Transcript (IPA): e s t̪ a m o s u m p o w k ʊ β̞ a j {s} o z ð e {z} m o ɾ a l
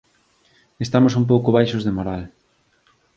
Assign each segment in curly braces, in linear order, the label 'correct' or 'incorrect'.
incorrect, incorrect

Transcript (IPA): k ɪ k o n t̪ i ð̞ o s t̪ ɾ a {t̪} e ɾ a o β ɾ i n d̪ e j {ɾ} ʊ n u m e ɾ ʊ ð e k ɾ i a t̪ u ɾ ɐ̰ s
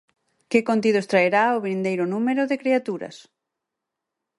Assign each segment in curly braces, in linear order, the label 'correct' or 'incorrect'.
incorrect, correct

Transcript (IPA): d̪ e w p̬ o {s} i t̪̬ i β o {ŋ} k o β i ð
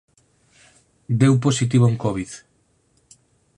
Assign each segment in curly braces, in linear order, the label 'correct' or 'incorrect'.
correct, correct

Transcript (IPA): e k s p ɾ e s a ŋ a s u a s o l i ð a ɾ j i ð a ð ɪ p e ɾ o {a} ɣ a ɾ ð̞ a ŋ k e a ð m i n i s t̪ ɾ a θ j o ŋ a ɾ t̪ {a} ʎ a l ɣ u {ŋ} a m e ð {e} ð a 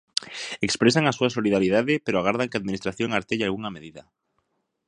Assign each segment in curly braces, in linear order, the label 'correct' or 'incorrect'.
correct, incorrect, correct, incorrect

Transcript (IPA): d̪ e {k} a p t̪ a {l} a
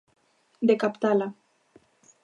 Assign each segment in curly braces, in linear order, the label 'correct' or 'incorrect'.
correct, correct

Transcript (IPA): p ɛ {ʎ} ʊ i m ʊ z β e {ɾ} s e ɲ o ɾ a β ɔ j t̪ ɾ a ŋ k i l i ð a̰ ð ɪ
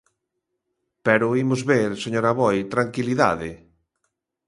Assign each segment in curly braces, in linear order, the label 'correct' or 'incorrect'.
incorrect, correct

